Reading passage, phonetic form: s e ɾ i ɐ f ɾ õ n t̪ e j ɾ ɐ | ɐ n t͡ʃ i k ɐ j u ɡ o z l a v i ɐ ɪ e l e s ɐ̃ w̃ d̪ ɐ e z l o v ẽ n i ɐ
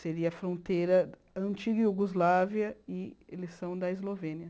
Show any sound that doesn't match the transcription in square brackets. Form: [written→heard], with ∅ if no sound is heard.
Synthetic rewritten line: s e ɾ i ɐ f ɾ õ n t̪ e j ɾ ɐ | [ɐ→ɐ̃] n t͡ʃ i [k→ɡ] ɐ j u ɡ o z l a v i ɐ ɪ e l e s ɐ̃ w̃ d̪ ɐ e z l o v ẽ n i ɐ